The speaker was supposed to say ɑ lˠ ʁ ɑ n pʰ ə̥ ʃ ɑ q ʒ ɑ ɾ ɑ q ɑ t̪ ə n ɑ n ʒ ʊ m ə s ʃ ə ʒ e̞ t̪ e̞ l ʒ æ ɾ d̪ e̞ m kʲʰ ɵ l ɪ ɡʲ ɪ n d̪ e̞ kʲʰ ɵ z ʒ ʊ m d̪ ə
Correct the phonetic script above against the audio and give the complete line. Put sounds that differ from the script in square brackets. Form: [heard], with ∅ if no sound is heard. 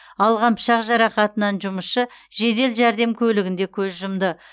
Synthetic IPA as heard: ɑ lˠ ʁ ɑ n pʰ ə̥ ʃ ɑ q ʒ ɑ ɾ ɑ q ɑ t̪ ə n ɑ n ʒ ʊ m ə s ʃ ə ʒ e̞ [d̪] e̞ l ʒ æ ɾ d̪ e̞ m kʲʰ ɵ l ɪ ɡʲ ɪ n d̪ e̞ kʲʰ ɵ z ʒ ʊ m d̪ ə